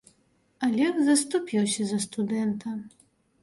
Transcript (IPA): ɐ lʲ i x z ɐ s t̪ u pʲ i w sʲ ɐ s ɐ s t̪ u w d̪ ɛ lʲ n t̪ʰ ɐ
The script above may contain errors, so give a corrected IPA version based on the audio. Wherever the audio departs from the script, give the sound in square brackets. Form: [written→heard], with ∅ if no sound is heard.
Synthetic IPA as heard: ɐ lʲ [i→ɛ] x z ɐ s t̪ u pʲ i w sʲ ɐ [s→z] ɐ s t̪ u [w→∅] d̪ ɛ [lʲ→∅] n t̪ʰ ɐ